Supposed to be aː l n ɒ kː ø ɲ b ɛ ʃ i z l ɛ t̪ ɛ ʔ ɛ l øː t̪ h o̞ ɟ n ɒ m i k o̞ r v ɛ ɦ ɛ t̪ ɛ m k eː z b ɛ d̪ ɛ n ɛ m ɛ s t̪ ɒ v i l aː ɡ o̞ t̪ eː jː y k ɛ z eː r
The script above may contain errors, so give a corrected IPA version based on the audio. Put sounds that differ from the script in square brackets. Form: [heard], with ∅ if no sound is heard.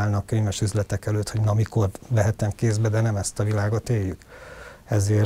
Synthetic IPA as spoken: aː l n ɒ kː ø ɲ [v] ɛ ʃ [y] z l ɛ t̪ ɛ [k] ɛ l øː t̪ h o̞ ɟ n ɒ m i k o̞ r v ɛ ɦ ɛ t̪ ɛ m k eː z b ɛ d̪ ɛ n ɛ m ɛ s t̪ ɒ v i l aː ɡ o̞ t̪ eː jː y k ɛ z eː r